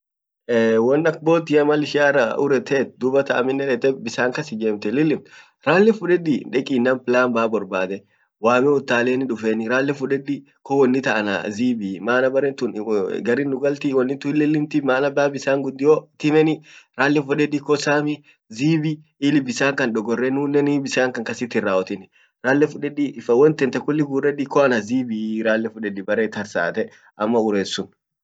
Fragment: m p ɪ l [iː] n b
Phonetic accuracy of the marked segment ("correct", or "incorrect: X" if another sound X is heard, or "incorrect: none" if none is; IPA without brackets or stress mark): incorrect: aː